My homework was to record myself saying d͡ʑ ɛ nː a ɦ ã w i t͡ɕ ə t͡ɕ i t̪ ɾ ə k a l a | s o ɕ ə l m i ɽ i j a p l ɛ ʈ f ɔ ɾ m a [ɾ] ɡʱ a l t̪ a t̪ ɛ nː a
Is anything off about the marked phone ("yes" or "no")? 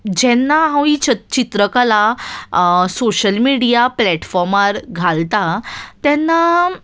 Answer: no